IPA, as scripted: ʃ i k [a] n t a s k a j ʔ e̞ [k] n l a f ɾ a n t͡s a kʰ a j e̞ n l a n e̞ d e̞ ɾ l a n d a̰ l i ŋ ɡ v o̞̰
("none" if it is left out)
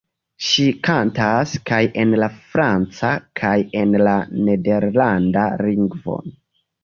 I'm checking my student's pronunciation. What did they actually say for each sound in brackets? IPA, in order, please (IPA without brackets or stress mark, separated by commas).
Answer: a, none